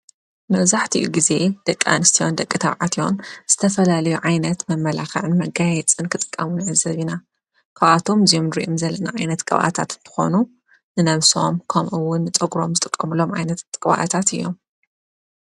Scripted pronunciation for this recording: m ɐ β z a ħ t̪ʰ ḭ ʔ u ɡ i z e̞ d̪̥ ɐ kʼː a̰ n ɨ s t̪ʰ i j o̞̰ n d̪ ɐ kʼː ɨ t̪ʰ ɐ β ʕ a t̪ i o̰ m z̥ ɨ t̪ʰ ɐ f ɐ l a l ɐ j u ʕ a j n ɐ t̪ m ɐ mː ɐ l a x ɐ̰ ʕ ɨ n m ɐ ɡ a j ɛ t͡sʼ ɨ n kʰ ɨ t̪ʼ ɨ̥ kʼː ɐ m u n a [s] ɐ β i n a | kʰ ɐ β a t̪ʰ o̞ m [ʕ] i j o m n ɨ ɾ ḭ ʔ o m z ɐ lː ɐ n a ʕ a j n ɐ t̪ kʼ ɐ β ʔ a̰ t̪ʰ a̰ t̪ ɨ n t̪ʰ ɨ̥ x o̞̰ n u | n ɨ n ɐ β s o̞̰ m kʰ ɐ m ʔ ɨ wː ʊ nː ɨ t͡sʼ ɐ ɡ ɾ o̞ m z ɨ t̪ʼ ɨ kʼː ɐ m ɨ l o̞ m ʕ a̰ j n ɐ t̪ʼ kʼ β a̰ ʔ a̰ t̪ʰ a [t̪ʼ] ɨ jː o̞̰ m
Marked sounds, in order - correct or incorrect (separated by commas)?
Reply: incorrect, incorrect, incorrect